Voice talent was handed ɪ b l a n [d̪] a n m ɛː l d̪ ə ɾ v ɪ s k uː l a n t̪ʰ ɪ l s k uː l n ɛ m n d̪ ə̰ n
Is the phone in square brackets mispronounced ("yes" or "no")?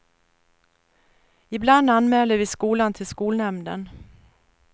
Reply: no